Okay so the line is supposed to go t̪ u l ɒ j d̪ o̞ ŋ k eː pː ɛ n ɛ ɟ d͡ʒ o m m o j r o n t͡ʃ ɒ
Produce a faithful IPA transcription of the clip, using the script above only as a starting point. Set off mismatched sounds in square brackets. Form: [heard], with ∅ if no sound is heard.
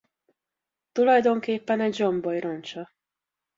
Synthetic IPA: t̪ u l ɒ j d̪ o̞ ŋ k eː pː ɛ n ɛ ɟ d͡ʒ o m [b] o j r o n t͡ʃ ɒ